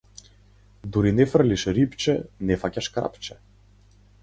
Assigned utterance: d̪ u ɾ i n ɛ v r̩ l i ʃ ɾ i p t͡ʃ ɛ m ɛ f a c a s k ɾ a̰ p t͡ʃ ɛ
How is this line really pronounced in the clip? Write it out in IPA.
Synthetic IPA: d̪ u ɾ i n ɛ f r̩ l i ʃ ɾ i p t͡ʃ ɛ n ɛ f a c a ʃ k ɾ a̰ p t͡ʃ ɛ